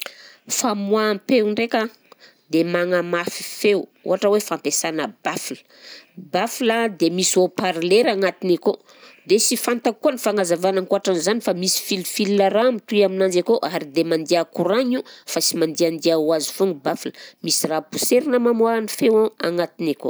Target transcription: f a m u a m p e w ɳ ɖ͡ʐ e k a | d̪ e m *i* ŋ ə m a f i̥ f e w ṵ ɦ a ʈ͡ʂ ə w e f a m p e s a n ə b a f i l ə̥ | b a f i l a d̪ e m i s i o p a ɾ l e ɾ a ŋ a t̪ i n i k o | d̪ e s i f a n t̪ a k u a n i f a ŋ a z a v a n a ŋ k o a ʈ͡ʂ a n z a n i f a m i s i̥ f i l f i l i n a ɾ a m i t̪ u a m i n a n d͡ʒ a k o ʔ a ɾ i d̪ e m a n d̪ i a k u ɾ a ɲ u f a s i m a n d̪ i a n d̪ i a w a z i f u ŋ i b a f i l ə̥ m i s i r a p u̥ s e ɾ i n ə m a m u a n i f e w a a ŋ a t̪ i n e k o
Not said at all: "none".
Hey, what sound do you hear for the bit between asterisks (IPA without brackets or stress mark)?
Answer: a